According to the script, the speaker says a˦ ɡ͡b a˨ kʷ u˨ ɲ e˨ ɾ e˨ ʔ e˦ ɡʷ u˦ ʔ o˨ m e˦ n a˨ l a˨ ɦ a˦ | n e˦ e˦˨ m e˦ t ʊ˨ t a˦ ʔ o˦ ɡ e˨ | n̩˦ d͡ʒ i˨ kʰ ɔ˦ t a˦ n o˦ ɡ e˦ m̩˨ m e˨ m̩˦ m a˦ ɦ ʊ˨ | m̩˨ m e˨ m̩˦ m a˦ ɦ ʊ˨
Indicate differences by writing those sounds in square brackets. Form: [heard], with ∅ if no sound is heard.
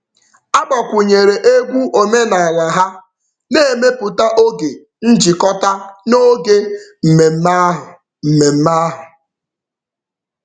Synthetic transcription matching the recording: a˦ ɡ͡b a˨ kʷ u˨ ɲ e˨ ɾ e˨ ʔ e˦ ɡʷ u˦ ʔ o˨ m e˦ n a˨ l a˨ ɦ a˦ | n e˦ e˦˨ m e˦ [p] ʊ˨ t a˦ ʔ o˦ ɡ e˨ | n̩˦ d͡ʒ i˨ [k] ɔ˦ t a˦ n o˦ ɡ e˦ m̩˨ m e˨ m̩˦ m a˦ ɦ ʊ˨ | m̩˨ m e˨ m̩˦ m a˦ ɦ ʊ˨